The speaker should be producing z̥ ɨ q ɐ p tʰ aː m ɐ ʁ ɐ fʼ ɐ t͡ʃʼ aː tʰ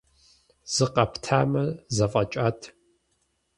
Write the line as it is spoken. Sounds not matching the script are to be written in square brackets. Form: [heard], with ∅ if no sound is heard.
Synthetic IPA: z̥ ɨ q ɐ p tʰ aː m ɐ [z] ɐ fʼ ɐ t͡ʃʼ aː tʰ